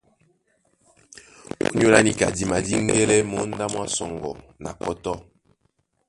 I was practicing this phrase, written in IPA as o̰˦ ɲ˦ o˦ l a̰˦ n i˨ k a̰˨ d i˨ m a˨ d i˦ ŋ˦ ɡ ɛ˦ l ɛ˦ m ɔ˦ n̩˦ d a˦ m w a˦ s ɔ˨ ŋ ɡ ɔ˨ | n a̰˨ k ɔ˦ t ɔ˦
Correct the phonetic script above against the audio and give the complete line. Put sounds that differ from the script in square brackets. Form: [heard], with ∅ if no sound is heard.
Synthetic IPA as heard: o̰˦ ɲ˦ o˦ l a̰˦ n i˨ k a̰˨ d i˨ m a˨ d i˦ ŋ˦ ɡ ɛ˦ l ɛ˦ m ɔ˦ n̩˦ d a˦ m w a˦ s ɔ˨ ŋ ɡ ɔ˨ | n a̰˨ k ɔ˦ t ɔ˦